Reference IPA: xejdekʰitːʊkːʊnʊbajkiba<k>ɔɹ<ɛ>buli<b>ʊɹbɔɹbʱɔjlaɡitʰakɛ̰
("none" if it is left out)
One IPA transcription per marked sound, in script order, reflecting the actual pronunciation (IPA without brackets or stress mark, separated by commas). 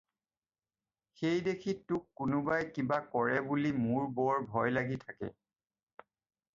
k, ɛ, m